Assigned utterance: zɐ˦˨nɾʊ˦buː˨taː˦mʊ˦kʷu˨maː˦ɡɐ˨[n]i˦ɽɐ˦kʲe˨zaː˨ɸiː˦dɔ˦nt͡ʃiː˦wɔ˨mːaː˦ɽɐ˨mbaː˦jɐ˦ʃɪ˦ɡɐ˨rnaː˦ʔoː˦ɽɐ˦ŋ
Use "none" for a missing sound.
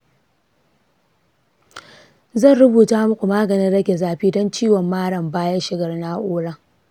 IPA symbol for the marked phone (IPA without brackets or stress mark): n